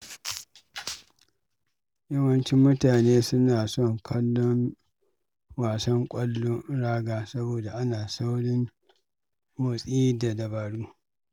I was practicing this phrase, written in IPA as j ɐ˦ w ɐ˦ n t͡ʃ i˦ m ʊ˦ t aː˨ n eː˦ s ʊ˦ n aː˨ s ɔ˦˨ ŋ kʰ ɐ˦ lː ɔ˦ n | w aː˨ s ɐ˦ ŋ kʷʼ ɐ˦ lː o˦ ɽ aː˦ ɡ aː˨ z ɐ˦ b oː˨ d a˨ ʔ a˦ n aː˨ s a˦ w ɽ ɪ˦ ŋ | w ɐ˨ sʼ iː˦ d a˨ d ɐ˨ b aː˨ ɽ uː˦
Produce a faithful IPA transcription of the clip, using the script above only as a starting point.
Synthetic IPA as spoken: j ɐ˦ w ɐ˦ n t͡ʃ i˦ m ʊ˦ t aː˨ n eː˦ s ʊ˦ n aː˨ s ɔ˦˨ ŋ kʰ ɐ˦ lː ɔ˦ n | w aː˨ s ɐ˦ ŋ kʷʼ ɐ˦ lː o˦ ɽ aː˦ ɡ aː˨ s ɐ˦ b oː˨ d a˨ ʔ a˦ n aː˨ s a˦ w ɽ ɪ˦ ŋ | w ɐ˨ sʼ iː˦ d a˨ d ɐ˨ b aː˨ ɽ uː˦